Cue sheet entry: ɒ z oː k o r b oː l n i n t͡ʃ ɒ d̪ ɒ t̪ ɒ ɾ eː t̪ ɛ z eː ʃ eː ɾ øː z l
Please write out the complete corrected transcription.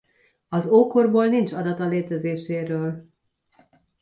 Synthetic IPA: ɒ z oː k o r b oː l n i n t͡ʃ ɒ d̪ ɒ t̪ ɒ l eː t̪ ɛ z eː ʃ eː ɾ øː l